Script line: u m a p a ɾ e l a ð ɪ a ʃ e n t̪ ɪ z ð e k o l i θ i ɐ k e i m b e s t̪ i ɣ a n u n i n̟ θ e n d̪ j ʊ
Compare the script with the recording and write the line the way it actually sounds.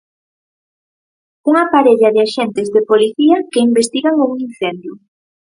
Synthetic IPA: u ŋ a p a ɾ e ʎ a ð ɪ a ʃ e n t̪ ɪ z ð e p o l i θ i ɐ k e i m b e s t̪ i ɣ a ŋ u ŋ i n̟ θ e n d̪ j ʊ